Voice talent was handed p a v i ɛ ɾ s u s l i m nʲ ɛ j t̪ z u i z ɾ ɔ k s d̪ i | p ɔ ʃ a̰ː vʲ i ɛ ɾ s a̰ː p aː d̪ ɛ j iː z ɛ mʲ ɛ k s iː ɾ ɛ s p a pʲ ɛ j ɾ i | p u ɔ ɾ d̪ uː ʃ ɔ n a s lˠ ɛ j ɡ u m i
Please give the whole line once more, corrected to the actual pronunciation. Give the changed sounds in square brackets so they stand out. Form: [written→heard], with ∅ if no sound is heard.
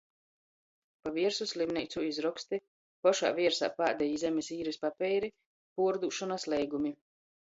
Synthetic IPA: p a v i ɛ ɾ s u s l i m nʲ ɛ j t̪ [z→s] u i z ɾ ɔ k s [d̪→t̪] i | p ɔ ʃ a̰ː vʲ i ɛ ɾ s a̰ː p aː d̪ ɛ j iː z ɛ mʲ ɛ [k→∅] s iː ɾ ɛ s p a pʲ ɛ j ɾ i | p u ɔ ɾ d̪ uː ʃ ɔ n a s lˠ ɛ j ɡ u m i